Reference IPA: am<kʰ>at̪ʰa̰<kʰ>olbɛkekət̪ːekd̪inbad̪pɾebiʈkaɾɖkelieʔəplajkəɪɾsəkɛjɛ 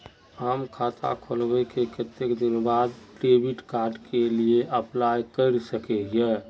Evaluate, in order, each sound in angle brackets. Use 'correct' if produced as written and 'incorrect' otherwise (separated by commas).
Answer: correct, correct